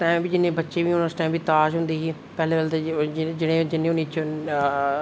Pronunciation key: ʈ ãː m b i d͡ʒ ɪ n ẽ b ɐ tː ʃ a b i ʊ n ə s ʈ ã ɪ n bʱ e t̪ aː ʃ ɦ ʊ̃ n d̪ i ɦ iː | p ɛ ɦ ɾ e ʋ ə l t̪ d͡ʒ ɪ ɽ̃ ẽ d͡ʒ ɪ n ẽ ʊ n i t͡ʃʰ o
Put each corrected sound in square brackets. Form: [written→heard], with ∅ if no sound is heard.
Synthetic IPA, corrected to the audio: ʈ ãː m b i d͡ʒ ɪ n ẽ b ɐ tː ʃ [a→e] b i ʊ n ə s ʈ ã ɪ [n→m] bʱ [e→i] t̪ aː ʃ ɦ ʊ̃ n d̪ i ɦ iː | p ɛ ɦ [ɾ→l] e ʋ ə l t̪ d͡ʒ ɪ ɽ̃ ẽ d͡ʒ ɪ n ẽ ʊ n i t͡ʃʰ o

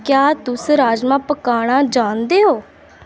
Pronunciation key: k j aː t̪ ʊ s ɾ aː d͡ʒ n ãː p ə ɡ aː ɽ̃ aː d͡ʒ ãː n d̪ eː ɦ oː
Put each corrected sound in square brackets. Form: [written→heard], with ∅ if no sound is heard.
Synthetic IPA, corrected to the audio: k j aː t̪ ʊ s ɾ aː d͡ʒ [n→m] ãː p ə [ɡ→k] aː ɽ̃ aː d͡ʒ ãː n d̪ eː ɦ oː

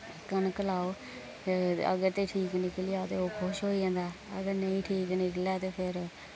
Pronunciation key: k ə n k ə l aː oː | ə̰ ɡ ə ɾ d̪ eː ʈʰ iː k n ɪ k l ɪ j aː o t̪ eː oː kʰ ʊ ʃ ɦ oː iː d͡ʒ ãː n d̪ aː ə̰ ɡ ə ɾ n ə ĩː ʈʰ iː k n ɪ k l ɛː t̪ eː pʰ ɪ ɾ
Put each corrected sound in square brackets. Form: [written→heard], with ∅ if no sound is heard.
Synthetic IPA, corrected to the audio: k ə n k ə l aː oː | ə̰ ɡ ə ɾ [d̪→t̪] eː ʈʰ iː k n ɪ k l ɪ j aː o t̪ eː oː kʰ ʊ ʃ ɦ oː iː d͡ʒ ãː n d̪ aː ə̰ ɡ ə ɾ n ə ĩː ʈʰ iː k n ɪ k l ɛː t̪ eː pʰ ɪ ɾ

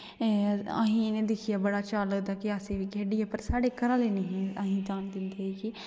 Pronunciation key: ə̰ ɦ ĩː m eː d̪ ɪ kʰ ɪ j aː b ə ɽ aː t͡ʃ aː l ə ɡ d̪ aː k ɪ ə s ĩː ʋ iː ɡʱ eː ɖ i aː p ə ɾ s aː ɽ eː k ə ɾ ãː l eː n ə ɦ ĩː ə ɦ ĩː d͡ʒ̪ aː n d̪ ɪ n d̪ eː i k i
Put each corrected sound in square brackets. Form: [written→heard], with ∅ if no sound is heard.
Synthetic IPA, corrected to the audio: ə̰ ɦ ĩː [m→n] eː d̪ ɪ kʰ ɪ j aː b ə ɽ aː t͡ʃ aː l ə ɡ d̪ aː k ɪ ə s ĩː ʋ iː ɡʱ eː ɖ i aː p ə ɾ s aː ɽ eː k ə ɾ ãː l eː n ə ɦ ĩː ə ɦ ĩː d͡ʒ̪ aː n d̪ ɪ n d̪ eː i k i

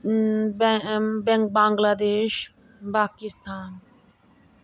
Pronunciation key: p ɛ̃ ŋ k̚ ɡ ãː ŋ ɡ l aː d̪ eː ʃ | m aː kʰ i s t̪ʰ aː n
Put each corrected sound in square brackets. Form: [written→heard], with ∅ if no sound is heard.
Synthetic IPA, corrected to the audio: [p→b] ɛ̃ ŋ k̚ [ɡ→b] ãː ŋ ɡ l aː d̪ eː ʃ | [m→b] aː [kʰ→k] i s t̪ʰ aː n

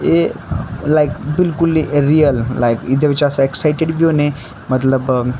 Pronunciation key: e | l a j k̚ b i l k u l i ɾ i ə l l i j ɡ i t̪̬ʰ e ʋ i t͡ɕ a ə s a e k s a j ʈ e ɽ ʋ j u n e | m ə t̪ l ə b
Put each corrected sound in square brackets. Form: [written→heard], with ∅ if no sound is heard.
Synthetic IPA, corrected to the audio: e | l a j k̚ b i l k u l i ɾ i ə l l [i→a] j [ɡ→k] i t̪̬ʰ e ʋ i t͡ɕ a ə s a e k s a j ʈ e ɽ ʋ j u n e | m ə t̪ l ə b

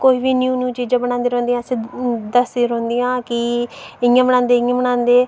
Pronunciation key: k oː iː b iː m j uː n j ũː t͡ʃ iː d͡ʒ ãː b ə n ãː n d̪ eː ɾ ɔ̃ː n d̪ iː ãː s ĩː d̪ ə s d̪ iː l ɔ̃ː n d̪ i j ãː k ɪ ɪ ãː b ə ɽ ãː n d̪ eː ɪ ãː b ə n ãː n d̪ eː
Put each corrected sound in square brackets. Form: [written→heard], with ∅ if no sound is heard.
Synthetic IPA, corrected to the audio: k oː iː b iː [m→n] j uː n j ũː t͡ʃ iː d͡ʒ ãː b ə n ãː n d̪ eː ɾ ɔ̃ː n d̪ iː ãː s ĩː d̪ ə s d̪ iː [l→ɾ] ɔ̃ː n d̪ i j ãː k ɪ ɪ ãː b ə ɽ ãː n d̪ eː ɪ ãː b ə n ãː n d̪ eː

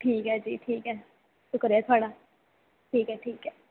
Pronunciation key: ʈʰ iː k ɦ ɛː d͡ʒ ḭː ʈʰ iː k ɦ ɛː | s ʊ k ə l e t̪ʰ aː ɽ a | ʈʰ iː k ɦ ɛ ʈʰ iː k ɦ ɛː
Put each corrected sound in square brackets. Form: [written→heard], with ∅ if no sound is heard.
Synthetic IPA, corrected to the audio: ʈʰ iː k ɦ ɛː d͡ʒ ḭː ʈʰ iː k ɦ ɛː | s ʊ k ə [l→ɾ] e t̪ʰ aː ɽ a | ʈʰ iː k ɦ ɛ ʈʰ iː k ɦ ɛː

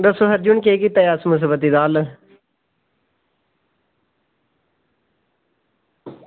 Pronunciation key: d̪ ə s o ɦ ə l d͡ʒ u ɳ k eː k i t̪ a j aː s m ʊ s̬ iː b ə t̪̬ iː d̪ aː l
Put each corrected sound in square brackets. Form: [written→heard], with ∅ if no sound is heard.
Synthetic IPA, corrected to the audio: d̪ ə s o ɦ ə [l→ɾ] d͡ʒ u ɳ k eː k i t̪ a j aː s m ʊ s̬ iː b ə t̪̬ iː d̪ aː l

